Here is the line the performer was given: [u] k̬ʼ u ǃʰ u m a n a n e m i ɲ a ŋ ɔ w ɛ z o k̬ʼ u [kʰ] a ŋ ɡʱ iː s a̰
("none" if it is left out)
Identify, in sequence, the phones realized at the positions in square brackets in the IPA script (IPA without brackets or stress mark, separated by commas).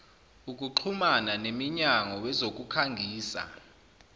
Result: u, kʰ